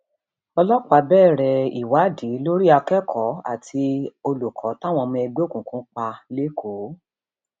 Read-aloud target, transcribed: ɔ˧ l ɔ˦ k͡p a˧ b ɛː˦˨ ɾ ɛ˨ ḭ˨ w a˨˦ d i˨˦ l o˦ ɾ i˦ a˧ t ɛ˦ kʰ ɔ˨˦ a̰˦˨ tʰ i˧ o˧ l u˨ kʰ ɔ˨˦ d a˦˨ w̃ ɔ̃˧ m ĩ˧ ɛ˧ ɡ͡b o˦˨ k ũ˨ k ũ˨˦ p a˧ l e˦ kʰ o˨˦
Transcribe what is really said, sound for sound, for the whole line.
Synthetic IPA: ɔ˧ l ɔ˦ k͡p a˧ b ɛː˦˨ ɾ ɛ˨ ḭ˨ w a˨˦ d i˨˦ l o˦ ɾ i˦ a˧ k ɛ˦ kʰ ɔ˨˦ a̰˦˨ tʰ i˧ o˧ l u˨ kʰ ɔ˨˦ t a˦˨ w̃ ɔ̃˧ m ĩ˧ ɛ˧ ɡ͡b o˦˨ k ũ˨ k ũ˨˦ k͡p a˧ l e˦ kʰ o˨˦